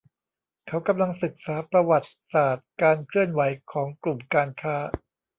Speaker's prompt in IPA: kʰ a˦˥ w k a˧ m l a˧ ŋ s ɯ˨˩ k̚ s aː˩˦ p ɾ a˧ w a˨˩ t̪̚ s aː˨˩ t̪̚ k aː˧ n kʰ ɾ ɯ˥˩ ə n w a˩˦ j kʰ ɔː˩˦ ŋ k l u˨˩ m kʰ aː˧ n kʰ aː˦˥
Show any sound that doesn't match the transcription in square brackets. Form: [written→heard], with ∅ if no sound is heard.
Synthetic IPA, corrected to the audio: kʰ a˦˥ w k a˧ m l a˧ ŋ s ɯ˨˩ k̚ s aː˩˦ p ɾ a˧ w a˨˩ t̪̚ s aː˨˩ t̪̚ k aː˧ n kʰ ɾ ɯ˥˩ ə n w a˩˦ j kʰ ɔː˩˦ ŋ k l u˨˩ m [kʰ→k] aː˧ n kʰ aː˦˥